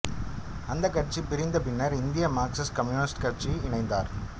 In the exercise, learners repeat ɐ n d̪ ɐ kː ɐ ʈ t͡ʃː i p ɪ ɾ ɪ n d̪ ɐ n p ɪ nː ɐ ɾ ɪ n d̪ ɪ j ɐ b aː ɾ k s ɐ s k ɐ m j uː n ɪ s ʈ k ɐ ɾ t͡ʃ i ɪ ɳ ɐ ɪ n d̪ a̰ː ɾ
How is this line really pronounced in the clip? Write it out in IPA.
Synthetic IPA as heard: ɐ n d̪ ɐ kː ɐ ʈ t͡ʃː i p ɪ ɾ ɪ n d̪ ɐ p ɪ nː ɐ ɾ ɪ n d̪ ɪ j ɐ m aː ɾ k s ɐ s k ɐ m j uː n ɪ s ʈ k ɐ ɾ t͡ʃ i ɪ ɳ ɐ ɪ n d̪ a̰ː ɾ